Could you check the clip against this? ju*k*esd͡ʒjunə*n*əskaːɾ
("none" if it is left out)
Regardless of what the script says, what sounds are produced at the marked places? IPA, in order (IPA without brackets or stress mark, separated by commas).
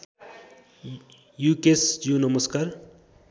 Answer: k, m